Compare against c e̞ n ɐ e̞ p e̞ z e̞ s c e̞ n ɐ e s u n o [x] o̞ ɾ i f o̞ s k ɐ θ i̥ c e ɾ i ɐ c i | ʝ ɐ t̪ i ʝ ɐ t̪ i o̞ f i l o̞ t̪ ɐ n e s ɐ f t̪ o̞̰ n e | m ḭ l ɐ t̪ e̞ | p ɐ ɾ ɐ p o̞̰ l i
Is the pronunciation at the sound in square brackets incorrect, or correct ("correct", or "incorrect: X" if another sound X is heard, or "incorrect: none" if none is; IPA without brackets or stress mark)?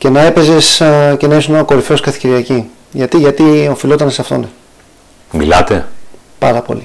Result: incorrect: k